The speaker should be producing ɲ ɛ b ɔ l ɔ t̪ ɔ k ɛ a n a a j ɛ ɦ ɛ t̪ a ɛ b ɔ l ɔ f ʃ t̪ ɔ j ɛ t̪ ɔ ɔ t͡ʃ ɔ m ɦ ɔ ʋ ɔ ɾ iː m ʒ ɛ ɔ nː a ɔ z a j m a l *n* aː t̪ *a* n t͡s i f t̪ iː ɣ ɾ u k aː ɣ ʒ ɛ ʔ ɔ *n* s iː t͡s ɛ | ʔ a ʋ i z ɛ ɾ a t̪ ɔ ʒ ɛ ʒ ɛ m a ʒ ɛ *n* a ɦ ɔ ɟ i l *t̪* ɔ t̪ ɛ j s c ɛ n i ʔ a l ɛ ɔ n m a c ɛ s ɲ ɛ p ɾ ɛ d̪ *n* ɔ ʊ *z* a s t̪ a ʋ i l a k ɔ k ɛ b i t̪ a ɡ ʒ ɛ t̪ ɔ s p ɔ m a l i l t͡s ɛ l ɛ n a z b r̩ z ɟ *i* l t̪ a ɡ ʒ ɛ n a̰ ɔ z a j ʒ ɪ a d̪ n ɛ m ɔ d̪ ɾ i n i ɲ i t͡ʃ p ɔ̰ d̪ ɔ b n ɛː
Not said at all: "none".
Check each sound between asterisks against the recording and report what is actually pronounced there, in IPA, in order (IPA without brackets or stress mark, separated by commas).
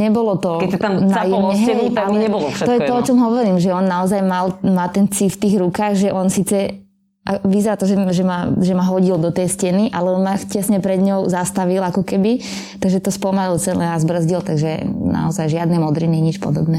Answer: m, ɛ, n, m, d̪, ɲ, z, i